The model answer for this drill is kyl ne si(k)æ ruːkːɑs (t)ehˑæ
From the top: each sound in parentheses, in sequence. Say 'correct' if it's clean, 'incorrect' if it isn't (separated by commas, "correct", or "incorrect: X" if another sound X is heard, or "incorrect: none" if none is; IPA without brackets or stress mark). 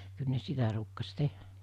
incorrect: t, correct